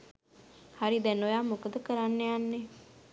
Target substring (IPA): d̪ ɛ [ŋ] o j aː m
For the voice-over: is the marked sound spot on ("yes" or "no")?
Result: no